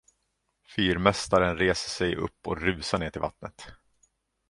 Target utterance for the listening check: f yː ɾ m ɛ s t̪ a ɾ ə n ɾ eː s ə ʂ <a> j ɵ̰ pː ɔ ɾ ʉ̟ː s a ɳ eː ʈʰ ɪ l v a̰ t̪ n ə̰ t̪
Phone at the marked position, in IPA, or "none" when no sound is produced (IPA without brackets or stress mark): ɛ